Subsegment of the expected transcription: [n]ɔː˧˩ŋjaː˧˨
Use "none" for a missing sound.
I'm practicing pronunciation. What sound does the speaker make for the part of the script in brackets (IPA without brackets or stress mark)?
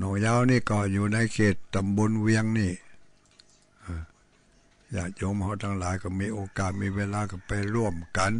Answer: n